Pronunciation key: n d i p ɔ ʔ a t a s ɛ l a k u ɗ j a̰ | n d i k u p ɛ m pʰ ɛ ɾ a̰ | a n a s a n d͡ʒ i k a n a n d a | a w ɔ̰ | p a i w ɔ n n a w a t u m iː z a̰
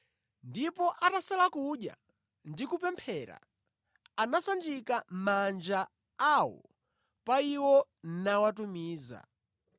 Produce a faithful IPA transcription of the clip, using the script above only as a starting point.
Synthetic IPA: n d i p ɔ ʔ a t a s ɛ l a k u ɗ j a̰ | n d i k u p ɛ m pʰ ɛ ɾ a̰ | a n a s a n d͡ʒ i k a m a n d͡ʒ a | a w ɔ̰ | p a i w ɔ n n a w a t u m iː z a̰